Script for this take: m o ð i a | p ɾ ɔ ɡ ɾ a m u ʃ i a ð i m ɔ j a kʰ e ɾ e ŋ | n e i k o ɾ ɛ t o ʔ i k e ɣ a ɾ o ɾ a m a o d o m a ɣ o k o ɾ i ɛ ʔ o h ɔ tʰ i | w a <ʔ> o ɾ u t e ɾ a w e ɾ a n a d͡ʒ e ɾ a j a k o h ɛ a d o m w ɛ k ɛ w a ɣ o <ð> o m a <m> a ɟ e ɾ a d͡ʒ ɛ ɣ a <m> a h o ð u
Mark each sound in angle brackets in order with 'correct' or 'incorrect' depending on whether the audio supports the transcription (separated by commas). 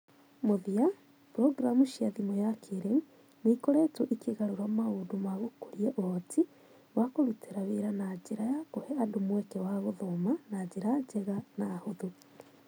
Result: incorrect, correct, incorrect, incorrect